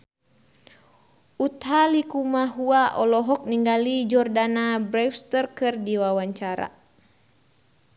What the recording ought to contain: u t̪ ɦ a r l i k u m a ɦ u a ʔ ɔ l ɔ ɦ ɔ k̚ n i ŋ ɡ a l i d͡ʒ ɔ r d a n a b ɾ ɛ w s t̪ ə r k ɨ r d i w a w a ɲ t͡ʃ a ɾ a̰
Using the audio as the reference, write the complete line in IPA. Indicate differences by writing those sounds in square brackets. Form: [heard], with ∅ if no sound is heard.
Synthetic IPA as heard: u t̪ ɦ a [∅] l i k u m a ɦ u a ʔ ɔ l ɔ ɦ ɔ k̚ n i ŋ ɡ a l i d͡ʒ ɔ r d a n a b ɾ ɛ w s t̪ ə r k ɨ r d i w a w a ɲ t͡ʃ a ɾ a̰